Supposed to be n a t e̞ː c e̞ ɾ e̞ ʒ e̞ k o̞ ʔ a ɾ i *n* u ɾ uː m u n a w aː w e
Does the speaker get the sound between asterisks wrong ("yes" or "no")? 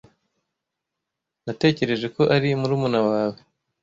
yes